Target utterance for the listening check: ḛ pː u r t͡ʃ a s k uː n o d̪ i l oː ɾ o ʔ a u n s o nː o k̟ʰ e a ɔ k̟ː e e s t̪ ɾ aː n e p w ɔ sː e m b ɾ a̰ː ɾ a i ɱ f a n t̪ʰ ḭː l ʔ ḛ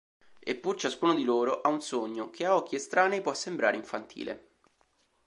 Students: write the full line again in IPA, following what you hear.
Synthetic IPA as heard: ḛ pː u r t͡ʃ a s k uː n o d̪ i l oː ɾ o ʔ a u n s o ɲː o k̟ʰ e a ɔ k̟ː i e s t̪ ɾ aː n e p w ɔ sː e m b ɾ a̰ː ɾ e i ɱ f a n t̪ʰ ḭː l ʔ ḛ